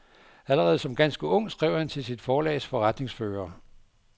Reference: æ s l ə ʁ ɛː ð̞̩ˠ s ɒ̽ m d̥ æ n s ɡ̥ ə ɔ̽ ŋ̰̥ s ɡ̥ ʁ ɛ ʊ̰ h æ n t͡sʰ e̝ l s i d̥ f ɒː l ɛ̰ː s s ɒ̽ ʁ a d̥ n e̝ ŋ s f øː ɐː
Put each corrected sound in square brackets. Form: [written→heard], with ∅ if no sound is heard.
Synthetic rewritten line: æ [s→∅] l ə ʁ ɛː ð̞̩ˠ s ɒ̽ m [d̥→ɡ̥] æ n s ɡ̥ ə ɔ̽ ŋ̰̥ s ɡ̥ ʁ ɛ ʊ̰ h æ n t͡sʰ e̝ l s i d̥ f ɒː l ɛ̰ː s [s→f] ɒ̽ ʁ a d̥ n e̝ ŋ s f øː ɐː